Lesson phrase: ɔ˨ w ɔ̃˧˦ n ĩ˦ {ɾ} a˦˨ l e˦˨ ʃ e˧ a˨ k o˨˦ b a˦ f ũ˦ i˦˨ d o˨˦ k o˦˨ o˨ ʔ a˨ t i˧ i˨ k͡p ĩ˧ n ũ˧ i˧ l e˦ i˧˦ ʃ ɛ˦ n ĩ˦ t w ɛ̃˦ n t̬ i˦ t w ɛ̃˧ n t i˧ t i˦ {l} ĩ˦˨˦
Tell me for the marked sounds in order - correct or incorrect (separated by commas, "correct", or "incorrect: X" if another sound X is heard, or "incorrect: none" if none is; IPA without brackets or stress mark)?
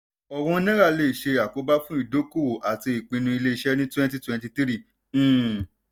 correct, incorrect: ɾ